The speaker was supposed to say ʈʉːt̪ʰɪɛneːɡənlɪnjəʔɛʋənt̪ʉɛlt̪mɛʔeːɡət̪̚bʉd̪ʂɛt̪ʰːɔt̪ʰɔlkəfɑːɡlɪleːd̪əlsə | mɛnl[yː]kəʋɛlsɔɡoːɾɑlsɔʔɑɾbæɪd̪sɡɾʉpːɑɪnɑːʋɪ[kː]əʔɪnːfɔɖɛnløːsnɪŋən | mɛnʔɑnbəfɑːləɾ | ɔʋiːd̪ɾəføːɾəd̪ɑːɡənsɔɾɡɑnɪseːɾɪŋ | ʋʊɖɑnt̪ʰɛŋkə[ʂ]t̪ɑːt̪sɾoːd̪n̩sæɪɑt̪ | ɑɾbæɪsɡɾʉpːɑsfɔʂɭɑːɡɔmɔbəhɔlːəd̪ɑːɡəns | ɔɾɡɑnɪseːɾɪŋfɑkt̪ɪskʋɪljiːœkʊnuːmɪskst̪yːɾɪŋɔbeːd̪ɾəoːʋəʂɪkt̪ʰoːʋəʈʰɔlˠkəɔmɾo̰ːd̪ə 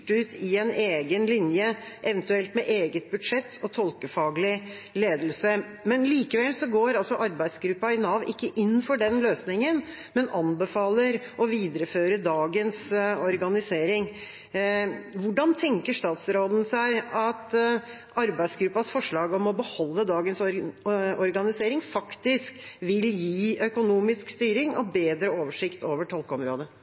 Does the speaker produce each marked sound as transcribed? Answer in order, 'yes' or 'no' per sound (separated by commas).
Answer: no, yes, yes